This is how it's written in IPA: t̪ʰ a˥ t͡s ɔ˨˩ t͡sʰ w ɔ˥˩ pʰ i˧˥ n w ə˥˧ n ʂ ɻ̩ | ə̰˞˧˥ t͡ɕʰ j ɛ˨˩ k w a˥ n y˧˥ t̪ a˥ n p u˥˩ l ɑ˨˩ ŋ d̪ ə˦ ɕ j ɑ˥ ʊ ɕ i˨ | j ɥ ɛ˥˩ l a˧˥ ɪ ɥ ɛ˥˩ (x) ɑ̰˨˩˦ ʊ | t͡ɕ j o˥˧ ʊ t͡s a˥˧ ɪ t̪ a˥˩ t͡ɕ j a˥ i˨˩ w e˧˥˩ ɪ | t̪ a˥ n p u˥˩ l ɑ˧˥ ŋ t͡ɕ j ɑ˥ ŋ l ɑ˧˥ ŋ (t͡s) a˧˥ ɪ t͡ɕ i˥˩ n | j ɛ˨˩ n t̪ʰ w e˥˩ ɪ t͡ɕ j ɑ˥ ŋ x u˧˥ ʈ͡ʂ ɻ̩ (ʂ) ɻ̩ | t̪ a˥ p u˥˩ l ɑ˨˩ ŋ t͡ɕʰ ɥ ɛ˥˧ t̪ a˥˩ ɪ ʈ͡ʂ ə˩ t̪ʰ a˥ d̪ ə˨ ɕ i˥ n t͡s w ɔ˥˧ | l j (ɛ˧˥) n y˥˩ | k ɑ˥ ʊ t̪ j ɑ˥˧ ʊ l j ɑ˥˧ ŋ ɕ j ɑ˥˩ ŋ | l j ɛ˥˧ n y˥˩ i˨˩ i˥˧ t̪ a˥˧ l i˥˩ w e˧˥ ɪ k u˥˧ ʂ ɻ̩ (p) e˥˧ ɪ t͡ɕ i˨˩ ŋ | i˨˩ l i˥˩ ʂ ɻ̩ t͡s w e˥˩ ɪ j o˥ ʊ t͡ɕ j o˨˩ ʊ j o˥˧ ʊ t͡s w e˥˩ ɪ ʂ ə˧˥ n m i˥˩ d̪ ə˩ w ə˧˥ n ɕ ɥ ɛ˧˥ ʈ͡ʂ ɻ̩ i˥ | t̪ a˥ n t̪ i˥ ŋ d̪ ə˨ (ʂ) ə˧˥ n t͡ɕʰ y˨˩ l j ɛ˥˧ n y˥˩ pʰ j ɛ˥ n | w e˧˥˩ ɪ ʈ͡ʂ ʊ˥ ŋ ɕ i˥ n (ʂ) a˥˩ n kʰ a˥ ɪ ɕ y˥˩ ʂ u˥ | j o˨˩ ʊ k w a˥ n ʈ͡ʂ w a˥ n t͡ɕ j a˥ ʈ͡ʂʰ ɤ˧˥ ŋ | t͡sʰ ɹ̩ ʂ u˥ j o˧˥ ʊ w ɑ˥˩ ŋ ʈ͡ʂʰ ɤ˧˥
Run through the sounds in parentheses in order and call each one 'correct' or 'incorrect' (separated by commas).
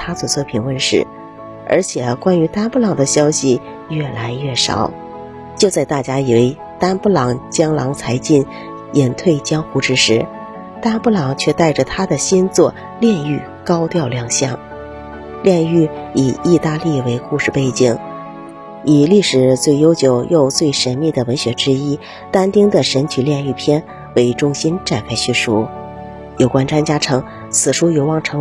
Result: incorrect, incorrect, correct, incorrect, correct, correct, incorrect